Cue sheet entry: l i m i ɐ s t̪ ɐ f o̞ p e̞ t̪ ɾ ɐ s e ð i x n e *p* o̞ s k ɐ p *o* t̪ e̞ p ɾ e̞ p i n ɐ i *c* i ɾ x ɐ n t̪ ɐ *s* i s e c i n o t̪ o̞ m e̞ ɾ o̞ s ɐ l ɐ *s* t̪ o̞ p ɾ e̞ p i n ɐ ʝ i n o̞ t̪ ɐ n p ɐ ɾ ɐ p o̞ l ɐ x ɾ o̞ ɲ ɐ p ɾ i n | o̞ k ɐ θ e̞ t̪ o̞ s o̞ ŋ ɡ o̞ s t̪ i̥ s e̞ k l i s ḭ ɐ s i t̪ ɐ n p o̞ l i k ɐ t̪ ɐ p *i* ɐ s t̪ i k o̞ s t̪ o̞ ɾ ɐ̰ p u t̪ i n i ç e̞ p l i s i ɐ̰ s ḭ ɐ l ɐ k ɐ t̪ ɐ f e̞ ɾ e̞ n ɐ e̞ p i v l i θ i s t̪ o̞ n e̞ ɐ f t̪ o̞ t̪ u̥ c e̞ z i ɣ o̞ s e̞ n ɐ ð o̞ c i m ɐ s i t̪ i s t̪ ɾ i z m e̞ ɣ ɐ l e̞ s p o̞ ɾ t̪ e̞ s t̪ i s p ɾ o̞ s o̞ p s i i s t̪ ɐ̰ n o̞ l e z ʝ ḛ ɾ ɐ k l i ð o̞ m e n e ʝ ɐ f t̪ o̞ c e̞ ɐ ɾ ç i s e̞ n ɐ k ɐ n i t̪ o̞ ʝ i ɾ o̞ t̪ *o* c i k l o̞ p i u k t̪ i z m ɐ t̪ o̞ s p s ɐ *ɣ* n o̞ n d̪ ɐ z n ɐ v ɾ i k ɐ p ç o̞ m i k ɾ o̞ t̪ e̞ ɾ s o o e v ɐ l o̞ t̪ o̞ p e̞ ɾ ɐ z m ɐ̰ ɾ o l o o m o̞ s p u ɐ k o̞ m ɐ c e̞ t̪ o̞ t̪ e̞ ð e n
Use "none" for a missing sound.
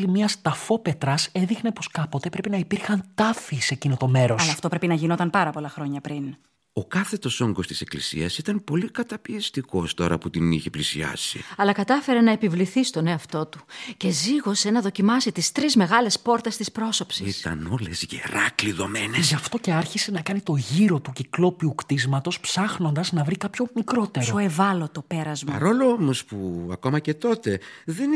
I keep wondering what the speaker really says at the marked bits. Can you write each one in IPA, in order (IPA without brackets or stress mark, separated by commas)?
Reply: p, o, p, f, f, i, u, x